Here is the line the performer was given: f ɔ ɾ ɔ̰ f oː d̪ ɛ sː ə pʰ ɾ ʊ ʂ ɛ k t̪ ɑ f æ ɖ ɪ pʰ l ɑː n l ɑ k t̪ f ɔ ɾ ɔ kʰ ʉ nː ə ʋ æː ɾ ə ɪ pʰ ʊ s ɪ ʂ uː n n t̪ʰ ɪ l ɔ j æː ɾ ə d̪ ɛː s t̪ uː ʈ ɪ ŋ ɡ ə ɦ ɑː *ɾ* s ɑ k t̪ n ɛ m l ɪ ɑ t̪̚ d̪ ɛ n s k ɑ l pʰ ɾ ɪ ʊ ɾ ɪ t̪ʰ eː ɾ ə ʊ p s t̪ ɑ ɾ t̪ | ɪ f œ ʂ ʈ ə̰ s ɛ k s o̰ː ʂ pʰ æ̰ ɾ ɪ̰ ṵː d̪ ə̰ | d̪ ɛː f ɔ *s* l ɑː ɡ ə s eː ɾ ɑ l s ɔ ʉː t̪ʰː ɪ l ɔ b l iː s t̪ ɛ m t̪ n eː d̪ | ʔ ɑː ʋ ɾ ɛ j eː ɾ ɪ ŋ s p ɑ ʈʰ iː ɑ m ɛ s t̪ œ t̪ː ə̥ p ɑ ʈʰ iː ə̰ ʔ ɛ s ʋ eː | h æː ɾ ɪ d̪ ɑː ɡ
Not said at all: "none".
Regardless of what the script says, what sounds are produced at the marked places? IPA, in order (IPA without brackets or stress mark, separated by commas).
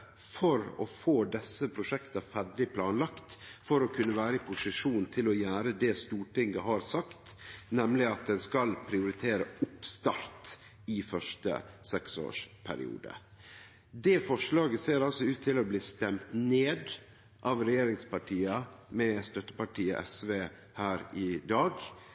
ɾ, ʂ